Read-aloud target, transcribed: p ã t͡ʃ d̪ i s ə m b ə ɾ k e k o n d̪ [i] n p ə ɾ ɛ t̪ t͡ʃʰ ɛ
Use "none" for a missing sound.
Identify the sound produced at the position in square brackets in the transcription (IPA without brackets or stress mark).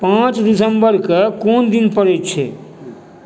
i